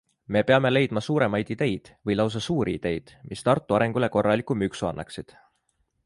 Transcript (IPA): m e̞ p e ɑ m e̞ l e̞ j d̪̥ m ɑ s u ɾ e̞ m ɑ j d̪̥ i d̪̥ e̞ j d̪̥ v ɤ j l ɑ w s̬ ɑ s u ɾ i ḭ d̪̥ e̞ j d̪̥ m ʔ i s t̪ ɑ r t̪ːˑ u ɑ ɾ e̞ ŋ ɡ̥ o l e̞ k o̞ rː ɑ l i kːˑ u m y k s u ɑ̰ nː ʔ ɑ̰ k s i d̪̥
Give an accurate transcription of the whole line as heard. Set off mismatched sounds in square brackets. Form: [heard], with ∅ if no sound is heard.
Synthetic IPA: m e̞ p e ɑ m e̞ l e̞ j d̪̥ m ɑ s [uː] ɾ e̞ m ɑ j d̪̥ i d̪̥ e̞ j d̪̥ v ɤ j l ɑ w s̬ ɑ s [uː] ɾ i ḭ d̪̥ e̞ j d̪̥ m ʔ i s t̪ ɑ r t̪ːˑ u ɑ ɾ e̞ ŋ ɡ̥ [u] l e̞ k o̞ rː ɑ l i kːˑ u m y k s u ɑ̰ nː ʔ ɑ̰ k s i d̪̥